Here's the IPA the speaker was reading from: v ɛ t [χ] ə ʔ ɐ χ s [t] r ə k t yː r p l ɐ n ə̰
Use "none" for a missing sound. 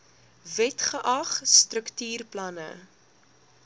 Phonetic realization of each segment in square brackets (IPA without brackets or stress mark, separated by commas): χ, t